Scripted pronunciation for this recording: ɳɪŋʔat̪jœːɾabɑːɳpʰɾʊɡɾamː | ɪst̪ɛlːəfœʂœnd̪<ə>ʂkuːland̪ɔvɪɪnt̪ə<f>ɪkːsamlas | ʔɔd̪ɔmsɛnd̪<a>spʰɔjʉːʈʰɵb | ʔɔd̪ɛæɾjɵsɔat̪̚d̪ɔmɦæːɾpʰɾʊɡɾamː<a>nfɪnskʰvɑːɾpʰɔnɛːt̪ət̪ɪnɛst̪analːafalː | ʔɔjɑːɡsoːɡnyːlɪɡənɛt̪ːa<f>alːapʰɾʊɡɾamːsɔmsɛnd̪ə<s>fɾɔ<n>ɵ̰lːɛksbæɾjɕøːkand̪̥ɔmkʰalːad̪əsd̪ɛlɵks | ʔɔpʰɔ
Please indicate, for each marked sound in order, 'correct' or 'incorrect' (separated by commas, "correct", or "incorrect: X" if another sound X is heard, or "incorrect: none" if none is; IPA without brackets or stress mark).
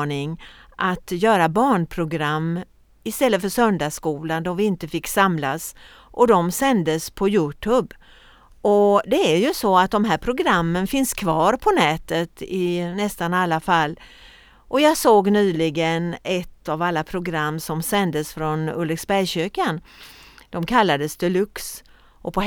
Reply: incorrect: a, correct, incorrect: ə, incorrect: ə, incorrect: v, correct, correct